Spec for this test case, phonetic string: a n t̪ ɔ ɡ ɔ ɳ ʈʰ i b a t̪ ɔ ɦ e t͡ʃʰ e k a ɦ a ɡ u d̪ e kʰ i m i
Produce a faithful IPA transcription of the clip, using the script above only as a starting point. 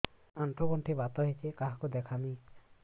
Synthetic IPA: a n t̪ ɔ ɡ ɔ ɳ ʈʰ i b a t̪ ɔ ɦ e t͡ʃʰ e k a ɦ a k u d̪ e kʰ a m i